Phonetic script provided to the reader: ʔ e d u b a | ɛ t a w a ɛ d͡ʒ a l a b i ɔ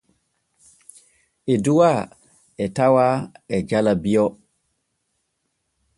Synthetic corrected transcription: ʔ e d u w a | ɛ t a w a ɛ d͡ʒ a l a b i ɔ